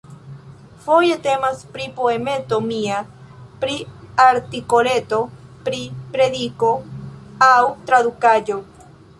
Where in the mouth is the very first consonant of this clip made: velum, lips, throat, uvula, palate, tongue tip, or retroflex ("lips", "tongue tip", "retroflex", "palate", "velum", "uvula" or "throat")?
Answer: lips